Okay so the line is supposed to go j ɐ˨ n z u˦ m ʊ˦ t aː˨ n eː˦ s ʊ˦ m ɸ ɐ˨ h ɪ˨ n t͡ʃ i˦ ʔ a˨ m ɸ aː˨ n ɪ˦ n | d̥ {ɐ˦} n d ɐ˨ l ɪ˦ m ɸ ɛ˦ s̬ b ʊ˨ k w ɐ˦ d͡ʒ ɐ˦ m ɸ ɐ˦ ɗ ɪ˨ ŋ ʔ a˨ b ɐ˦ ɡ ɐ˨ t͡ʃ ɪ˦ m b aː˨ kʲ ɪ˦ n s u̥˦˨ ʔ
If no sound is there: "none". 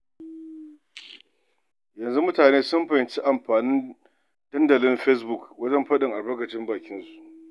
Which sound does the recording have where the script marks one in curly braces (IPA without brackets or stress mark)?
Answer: ɐ˦